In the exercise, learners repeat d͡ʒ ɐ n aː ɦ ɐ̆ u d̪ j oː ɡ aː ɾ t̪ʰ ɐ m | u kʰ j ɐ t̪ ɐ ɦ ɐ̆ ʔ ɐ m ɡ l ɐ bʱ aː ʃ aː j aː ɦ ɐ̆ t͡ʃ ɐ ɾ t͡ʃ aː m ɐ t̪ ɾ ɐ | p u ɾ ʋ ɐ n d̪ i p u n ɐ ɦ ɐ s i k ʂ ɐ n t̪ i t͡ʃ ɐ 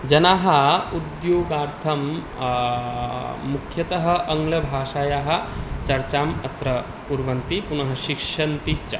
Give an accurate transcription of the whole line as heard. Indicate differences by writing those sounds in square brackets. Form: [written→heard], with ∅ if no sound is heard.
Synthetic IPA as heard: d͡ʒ ɐ n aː ɦ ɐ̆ u d̪ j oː ɡ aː ɾ t̪ʰ ɐ m | u kʰ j ɐ t̪ ɐ ɦ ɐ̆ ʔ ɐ [m→ŋ] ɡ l ɐ bʱ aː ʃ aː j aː ɦ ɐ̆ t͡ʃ ɐ ɾ t͡ʃ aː m ɐ t̪ ɾ ɐ | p u ɾ ʋ ɐ n [d̪→t̪] i p u n ɐ ɦ ɐ [s→ʃ] i k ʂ ɐ n t̪ i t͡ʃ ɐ